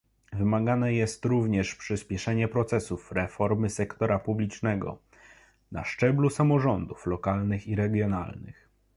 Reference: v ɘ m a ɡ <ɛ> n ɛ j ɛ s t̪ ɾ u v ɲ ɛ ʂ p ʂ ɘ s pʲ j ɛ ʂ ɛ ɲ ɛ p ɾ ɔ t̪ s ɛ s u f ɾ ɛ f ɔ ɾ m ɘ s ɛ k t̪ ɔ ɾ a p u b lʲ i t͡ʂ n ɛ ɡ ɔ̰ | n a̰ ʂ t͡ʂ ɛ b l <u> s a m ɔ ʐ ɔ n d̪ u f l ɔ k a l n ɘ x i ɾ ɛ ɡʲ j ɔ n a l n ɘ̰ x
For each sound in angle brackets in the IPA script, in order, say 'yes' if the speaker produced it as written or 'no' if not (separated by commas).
no, yes